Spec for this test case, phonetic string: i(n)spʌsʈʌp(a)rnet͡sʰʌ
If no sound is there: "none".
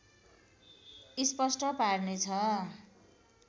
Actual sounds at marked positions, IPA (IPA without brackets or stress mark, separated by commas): none, a